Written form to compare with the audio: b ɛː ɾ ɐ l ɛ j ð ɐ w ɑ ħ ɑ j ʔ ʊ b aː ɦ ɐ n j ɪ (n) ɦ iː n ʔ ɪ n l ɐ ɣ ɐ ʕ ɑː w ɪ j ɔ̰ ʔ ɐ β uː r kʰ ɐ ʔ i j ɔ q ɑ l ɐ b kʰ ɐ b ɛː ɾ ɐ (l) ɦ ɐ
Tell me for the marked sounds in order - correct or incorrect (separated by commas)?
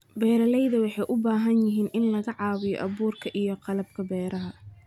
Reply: incorrect, incorrect